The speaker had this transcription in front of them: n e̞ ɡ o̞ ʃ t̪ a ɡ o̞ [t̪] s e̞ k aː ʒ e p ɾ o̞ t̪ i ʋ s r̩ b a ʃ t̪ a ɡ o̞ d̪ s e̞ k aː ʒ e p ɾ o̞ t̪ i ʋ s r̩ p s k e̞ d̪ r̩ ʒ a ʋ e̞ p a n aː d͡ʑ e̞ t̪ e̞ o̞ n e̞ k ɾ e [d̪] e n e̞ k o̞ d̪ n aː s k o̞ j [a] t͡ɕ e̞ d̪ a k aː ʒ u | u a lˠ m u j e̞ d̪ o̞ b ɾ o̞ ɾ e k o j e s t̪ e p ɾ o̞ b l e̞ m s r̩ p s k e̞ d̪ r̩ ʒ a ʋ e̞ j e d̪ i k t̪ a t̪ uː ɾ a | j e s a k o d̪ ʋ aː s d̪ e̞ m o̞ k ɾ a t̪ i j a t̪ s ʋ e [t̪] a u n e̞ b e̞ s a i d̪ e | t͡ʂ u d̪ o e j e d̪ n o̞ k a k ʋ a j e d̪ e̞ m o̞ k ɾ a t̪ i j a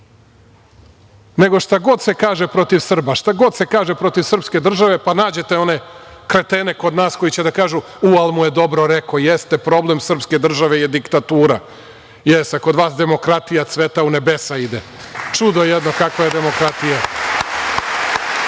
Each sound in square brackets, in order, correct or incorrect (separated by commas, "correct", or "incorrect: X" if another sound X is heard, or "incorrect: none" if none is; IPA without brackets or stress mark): incorrect: d̪, incorrect: t̪, incorrect: i, correct